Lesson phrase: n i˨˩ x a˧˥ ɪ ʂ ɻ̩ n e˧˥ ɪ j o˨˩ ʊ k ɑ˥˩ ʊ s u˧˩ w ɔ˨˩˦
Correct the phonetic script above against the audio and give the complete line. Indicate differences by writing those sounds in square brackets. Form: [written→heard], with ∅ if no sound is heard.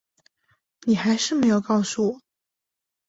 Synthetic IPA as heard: n i˨˩ x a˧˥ ɪ ʂ ɻ̩ [n→m] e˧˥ ɪ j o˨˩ ʊ k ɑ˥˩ ʊ s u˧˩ w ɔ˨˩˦